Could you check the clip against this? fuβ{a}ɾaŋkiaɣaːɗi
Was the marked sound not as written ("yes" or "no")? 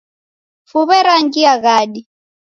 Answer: yes